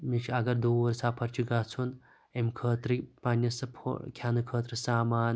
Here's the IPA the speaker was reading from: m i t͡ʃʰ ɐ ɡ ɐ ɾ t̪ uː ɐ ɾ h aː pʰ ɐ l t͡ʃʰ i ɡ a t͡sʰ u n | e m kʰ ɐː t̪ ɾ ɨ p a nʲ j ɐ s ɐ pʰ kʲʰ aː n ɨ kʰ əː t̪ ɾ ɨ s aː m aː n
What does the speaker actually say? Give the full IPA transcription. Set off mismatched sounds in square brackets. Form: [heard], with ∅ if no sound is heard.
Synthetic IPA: m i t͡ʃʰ ɐ ɡ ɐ ɾ [d̪] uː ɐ ɾ [s] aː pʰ ɐ [ɾ] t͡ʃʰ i ɡ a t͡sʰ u n | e m kʰ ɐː t̪ ɾ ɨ p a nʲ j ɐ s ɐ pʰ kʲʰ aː n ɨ kʰ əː t̪ ɾ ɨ s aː m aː n